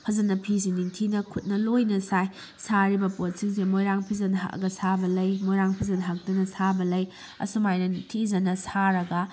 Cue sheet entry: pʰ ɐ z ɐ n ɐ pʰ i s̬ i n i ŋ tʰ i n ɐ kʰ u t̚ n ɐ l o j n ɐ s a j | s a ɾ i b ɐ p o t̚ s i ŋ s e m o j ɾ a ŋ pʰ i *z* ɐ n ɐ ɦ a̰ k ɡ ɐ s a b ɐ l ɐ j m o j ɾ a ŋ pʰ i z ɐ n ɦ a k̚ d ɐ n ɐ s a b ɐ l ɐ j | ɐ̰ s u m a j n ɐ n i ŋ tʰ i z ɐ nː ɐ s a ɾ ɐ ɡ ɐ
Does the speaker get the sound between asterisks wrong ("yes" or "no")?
no